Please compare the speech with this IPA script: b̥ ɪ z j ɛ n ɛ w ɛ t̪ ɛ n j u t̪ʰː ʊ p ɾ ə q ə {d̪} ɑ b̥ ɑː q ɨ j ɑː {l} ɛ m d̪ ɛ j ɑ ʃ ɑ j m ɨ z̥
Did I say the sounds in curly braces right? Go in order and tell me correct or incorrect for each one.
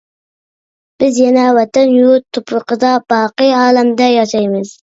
correct, correct

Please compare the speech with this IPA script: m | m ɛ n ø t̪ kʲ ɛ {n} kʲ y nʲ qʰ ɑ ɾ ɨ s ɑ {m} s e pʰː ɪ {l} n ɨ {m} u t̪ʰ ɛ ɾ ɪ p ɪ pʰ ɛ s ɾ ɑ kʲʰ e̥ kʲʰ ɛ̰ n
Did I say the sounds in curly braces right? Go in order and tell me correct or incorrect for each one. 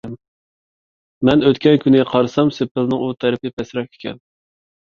correct, correct, correct, incorrect

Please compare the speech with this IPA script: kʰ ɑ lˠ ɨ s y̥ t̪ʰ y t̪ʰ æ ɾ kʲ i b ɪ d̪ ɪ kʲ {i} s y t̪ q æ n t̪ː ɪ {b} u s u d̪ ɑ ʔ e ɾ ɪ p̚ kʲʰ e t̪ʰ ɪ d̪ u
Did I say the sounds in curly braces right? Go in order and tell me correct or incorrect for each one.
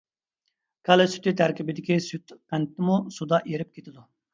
correct, incorrect

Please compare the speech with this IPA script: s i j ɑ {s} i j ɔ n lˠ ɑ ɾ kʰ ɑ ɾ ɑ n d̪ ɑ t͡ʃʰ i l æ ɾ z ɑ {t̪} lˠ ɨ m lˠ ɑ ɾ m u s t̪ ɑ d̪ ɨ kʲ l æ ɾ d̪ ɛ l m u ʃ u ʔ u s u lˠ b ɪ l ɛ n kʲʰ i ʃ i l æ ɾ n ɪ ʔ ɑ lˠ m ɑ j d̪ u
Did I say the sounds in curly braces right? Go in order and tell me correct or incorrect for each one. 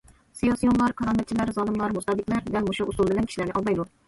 correct, incorrect

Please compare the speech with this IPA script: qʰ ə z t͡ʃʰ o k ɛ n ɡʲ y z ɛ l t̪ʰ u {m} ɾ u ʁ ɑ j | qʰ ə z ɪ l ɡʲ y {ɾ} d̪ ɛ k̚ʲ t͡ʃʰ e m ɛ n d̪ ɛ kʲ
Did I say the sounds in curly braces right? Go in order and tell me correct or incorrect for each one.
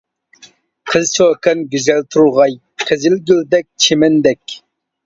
incorrect, incorrect

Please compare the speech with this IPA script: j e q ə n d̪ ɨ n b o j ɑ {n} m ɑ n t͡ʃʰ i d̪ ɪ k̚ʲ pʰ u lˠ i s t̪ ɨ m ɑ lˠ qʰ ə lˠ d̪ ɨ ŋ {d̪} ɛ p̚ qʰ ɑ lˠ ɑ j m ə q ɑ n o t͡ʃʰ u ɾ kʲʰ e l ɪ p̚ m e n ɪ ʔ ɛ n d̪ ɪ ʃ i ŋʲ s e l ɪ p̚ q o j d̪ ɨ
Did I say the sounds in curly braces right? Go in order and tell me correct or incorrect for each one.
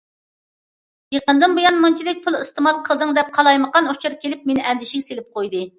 correct, correct

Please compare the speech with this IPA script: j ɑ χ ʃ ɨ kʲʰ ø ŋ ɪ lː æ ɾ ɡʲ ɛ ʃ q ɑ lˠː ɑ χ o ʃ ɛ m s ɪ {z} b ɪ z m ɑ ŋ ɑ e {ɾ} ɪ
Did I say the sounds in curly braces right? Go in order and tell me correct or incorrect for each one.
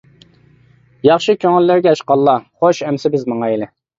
incorrect, incorrect

